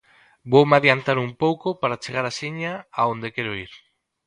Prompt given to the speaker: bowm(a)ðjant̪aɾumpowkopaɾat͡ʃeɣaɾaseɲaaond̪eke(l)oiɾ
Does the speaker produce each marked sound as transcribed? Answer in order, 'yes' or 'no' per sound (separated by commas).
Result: yes, no